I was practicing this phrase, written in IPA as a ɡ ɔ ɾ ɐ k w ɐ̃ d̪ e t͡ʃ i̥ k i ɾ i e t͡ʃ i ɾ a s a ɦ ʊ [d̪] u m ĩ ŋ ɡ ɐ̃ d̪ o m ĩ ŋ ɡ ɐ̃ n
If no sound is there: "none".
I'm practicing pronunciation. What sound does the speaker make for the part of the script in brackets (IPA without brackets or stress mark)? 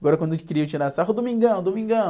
d̪